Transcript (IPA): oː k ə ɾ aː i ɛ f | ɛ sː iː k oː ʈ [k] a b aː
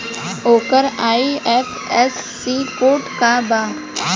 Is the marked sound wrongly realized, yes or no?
no